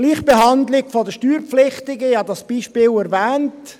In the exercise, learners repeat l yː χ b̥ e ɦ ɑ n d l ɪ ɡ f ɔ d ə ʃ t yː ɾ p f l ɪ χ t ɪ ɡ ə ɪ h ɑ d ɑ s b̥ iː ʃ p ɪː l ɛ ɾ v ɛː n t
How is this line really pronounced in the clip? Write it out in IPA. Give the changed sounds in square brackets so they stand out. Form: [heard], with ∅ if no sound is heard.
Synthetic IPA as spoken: l [iː] χ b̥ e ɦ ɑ n d l ɪ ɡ f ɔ d ə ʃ t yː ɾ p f l ɪ χ t ɪ ɡ ə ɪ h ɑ d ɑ s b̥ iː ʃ p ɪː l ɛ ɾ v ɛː n t